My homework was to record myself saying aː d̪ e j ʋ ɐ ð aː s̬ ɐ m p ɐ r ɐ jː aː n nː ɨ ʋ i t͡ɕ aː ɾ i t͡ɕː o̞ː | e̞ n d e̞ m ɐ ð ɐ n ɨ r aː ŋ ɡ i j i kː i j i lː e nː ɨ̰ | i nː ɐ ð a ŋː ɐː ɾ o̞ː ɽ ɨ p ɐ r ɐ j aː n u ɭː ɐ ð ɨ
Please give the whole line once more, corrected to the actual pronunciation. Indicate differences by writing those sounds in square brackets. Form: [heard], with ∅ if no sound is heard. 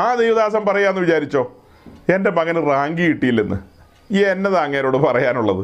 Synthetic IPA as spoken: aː d̪ e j ʋ ɐ ð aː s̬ ɐ m p ɐ r ɐ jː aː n nː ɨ ʋ i t͡ɕ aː ɾ i t͡ɕː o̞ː | e̞ n d e̞ m ɐ [ɣ] ɐ n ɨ r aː ŋ ɡ i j i [ʈː] i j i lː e nː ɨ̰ | [e] nː ɐ ð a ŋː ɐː ɾ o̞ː ɽ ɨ p ɐ r ɐ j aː n u ɭː ɐ ð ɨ